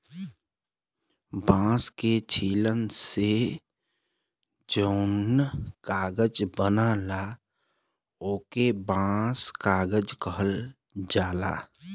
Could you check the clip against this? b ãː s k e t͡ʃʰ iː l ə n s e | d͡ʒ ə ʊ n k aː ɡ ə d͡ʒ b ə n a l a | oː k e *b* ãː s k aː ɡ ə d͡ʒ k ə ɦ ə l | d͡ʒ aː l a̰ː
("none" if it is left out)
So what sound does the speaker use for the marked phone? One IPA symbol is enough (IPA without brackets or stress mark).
b